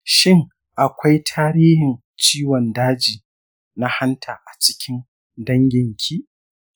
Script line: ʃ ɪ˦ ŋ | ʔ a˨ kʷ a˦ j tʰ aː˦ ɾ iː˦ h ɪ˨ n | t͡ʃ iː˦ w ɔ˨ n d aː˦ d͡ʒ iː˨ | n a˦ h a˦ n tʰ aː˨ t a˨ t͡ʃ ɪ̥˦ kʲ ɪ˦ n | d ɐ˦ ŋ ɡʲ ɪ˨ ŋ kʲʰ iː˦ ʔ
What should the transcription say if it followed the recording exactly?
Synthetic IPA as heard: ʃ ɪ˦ ŋ | ʔ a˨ kʷ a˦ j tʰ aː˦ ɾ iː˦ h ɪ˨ n | t͡ʃ iː˦ w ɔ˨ n d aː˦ d͡ʒ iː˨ | n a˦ h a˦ n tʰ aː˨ ʔ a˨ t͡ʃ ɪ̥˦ kʲ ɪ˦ n | d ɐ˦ ŋ ɡʲ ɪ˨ ŋ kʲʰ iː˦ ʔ